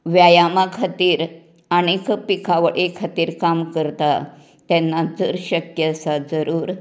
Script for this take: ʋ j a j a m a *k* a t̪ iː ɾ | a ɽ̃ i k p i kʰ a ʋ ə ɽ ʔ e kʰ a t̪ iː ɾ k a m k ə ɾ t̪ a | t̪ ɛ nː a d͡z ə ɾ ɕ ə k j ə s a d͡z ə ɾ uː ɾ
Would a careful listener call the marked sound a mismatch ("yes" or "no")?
yes